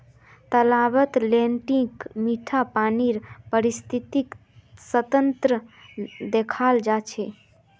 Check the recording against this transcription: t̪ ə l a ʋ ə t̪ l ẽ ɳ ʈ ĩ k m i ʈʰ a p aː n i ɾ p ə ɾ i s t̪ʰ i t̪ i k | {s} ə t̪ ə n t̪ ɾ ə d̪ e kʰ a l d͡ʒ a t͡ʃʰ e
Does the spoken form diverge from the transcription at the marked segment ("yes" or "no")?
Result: no